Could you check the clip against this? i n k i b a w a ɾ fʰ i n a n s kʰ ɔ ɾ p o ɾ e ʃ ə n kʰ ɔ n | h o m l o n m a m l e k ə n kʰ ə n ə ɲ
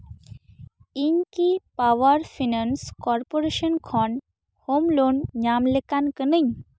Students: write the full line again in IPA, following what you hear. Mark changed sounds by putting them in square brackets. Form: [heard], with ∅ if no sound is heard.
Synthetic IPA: i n k i [p] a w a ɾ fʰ i n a n s [k] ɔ ɾ p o ɾ e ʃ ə n kʰ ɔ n | h o m l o n [ɲ] a m l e k [a] n [k] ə n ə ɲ